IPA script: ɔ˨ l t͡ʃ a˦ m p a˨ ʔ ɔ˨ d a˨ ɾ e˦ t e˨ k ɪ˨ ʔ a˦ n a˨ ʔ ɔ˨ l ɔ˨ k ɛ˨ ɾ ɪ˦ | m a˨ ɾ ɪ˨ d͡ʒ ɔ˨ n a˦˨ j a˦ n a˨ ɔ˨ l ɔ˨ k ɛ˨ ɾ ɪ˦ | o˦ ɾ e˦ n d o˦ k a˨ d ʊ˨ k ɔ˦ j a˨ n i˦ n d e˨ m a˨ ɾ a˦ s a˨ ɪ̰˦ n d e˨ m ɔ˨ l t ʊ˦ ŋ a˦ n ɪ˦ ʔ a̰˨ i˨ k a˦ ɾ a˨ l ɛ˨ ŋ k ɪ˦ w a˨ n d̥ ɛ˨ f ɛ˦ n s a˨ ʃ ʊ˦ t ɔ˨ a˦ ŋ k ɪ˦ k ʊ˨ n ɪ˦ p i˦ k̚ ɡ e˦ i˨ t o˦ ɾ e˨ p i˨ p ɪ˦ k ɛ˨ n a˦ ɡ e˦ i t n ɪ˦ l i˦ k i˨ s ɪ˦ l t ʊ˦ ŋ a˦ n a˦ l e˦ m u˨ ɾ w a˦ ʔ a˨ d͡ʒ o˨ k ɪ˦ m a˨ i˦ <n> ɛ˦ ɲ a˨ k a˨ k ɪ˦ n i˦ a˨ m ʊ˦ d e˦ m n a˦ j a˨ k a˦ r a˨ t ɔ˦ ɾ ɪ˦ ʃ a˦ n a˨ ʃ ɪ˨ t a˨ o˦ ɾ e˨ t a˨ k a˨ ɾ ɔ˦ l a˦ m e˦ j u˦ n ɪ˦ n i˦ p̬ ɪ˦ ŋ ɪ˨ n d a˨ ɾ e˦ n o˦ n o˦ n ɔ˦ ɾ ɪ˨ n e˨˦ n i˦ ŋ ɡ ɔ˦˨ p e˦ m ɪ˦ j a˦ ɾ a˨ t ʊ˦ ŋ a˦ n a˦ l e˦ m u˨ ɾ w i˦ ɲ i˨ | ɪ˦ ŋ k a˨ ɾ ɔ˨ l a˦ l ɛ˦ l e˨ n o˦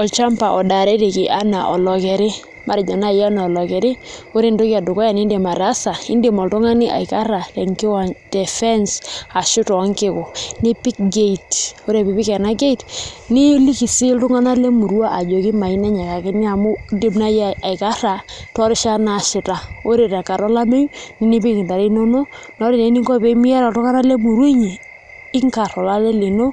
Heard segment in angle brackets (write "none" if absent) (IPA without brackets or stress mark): n